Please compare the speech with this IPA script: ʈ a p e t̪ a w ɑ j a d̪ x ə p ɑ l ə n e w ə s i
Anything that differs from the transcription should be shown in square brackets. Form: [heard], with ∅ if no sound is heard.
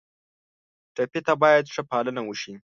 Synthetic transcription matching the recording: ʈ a p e t̪ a [b] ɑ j a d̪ [ʂ] ə p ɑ l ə n [a] w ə [ʃ] i

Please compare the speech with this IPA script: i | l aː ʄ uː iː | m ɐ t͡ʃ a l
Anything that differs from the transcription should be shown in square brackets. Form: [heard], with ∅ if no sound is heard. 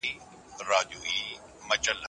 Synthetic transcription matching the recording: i | [ɾ] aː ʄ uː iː | m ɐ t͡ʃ [ə] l

